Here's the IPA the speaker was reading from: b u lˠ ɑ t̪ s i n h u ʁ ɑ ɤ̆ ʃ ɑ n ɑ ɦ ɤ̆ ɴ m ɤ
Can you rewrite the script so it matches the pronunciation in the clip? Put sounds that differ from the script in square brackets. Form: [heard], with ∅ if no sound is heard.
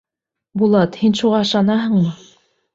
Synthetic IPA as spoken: b u lˠ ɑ t̪ [h] i n [ʃ] u ʁ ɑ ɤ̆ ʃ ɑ n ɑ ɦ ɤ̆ ɴ m ɤ